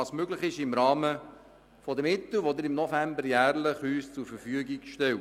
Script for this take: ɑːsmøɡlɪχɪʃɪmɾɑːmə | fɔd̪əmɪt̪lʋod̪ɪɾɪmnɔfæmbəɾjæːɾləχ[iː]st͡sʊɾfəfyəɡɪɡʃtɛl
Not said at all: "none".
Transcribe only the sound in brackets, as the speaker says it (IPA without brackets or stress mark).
yː